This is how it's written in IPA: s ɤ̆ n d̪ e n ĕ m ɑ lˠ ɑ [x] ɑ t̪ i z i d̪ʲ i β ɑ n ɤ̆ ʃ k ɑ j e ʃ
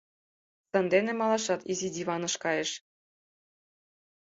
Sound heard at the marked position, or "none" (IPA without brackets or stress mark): ʃ